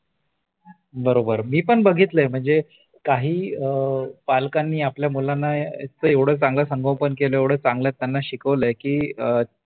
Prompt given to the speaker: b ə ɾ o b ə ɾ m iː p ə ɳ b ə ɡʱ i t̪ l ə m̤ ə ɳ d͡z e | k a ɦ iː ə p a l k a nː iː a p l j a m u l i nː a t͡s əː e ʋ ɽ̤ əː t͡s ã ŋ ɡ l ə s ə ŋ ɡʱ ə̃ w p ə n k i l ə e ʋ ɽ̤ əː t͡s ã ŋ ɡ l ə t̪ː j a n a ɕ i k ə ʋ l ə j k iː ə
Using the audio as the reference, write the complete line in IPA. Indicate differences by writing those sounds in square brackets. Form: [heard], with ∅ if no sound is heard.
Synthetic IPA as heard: b ə ɾ o b ə ɾ m iː p ə ɳ b ə ɡʱ i t̪ l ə m̤ ə ɳ d͡z e | k a ɦ iː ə p a l k a nː iː a p l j a m u l [a] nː a t͡s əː e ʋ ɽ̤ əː t͡s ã ŋ ɡ l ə s ə ŋ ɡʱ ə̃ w p ə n k [e] l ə e ʋ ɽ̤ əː t͡s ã ŋ ɡ l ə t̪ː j a [nː] a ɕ i k ə ʋ l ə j k iː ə